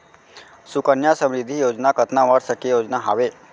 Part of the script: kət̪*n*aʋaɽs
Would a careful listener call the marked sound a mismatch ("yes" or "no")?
no